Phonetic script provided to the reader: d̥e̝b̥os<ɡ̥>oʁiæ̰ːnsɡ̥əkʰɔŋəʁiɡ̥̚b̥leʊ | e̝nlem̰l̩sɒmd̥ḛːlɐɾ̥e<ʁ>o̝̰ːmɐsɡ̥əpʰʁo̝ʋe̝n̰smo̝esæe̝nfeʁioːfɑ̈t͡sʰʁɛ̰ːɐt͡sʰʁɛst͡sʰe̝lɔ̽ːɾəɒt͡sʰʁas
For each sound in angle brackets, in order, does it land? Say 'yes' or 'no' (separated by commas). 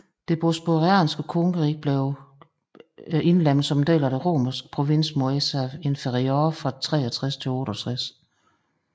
no, yes